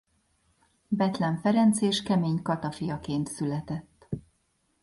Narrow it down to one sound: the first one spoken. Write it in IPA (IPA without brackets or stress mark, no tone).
b